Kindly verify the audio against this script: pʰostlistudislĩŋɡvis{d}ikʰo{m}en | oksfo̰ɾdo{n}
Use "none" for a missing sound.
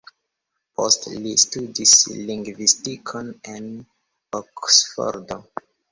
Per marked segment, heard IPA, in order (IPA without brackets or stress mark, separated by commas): t, n, none